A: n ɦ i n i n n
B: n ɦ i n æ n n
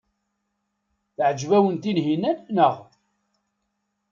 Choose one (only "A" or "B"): B